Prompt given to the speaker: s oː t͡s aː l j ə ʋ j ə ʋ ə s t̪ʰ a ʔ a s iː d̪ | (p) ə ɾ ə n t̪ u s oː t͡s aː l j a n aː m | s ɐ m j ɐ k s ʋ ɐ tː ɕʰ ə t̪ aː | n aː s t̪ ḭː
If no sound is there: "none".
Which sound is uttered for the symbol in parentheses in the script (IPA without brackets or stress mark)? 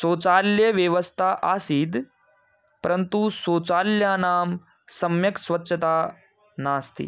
p